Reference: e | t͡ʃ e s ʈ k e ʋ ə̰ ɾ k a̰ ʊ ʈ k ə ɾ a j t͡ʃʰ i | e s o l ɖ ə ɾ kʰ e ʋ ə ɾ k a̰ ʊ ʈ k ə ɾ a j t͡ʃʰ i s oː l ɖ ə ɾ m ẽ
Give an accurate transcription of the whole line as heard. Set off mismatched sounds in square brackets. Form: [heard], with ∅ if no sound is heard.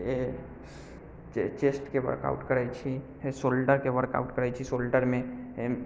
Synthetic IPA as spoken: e | t͡ʃ e s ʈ k e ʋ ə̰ ɾ k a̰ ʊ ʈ k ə ɾ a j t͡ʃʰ i | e s o l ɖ ə ɾ [k] e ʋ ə ɾ k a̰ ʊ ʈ k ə ɾ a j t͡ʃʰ i s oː l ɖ ə ɾ m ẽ

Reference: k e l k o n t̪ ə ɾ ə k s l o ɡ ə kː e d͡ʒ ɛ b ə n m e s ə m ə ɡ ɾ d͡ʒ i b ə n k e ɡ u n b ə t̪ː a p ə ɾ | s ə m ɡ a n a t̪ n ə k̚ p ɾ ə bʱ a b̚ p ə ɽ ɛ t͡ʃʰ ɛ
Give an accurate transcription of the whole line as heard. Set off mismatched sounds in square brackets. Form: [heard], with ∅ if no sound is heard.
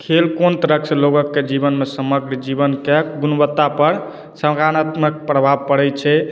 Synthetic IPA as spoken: [kʰ] e l k o n t̪ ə ɾ ə k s l o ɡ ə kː e d͡ʒ [i] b ə n m e s ə m ə ɡ ɾ d͡ʒ i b ə n k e ɡ u n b ə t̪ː a p ə ɾ | s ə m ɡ a n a t̪ [m] ə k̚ p ɾ ə bʱ a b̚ p ə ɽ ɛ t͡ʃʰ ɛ

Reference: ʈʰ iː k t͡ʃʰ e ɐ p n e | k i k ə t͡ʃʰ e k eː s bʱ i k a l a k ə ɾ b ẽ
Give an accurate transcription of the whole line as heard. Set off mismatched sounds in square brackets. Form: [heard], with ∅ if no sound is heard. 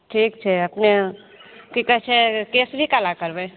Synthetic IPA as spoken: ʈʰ iː k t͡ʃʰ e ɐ p n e | k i k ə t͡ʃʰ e k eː s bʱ i k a l a k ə ɾ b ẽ

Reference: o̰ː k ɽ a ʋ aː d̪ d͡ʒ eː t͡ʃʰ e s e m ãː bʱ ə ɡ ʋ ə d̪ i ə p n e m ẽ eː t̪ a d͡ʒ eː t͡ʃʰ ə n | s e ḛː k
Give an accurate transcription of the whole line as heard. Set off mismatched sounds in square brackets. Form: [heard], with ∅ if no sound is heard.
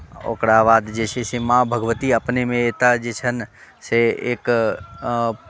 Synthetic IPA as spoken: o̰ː k ɽ a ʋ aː d̪ d͡ʒ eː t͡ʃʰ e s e m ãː bʱ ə ɡ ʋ ə [t̪] i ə p n e m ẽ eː t̪ a d͡ʒ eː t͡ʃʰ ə n | s e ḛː k

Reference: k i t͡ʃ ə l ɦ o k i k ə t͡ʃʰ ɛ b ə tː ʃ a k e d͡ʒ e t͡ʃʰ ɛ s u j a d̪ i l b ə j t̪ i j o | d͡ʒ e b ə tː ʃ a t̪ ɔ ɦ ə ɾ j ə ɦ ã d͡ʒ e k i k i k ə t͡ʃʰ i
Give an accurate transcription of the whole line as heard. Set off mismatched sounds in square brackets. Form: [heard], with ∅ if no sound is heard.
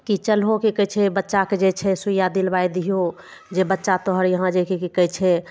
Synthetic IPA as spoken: k i t͡ʃ ə l ɦ o k i k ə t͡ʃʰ ɛ b ə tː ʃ a k e d͡ʒ e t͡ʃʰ ɛ s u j a d̪ i l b [a] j [d̪] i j o | d͡ʒ e b ə tː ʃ a t̪ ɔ ɦ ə ɾ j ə ɦ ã d͡ʒ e k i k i k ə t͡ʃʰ [ɛ]

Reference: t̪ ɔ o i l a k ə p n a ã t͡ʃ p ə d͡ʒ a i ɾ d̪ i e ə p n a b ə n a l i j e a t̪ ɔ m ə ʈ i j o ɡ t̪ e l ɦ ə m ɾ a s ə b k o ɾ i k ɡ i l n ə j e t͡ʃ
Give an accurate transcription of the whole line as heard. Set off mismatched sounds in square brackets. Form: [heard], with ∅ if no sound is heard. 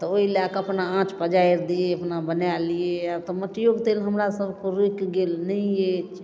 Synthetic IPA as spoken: t̪ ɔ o i l a k ə p n a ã t͡ʃ p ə d͡ʒ a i ɾ d̪ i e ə p n a b ə n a l i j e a t̪ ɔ m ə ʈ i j o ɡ t̪ e l ɦ ə m ɾ a s ə b k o ɾ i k ɡ [e] l n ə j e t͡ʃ

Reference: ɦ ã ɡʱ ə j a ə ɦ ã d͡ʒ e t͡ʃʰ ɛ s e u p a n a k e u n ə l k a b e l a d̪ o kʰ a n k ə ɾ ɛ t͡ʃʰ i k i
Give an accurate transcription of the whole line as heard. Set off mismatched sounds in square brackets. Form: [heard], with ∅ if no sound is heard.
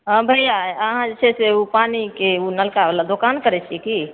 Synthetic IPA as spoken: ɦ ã [bʱ] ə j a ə ɦ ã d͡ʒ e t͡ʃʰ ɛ s e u p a n [i] k e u n ə l k a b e l a d̪ o [k] a n k ə ɾ ɛ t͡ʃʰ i k i

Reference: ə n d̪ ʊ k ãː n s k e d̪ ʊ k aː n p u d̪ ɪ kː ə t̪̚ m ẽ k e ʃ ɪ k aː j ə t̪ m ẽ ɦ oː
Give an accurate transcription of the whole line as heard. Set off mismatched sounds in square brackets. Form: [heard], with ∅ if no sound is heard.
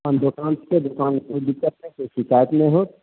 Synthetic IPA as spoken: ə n d̪ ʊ k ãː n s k e d̪ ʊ k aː n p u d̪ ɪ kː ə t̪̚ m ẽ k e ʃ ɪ k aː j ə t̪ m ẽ ɦ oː

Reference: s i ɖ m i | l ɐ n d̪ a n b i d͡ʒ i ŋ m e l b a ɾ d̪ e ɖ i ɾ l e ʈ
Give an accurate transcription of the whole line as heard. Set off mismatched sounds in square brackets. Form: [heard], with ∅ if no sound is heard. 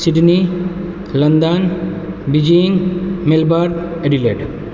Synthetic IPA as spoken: s i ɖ [n] i | l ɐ n d̪ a n b i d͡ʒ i ŋ m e l b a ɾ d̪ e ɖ i [∅] l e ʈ

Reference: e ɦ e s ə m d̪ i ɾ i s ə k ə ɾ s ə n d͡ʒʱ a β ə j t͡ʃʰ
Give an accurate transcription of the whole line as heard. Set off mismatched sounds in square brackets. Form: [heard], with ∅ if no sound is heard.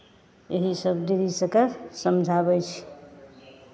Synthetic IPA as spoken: e ɦ [i] s ə [b] d̪ i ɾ i s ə k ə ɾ s ə [m] d͡ʒʱ a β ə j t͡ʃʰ

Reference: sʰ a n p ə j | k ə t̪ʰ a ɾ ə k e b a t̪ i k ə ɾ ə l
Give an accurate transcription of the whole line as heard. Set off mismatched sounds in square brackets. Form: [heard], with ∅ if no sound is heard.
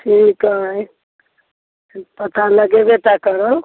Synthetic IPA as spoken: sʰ [i] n [k] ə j | [p] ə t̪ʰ a [l] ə [ɡ] e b [e] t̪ [a] k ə ɾ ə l

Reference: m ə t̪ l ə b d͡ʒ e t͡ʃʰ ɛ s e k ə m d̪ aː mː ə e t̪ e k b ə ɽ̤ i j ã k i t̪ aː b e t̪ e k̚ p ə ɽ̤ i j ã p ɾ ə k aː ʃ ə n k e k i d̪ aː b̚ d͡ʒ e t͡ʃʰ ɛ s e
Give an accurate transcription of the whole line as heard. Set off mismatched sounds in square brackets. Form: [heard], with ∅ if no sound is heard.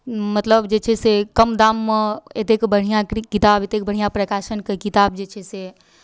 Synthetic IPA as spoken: m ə t̪ l ə b d͡ʒ e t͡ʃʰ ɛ s e k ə m d̪ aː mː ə e t̪ e k b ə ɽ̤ i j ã k i t̪ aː b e t̪ e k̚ [b] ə ɽ̤ i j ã p ɾ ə k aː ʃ ə n k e k i [t̪] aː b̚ d͡ʒ e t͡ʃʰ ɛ s e

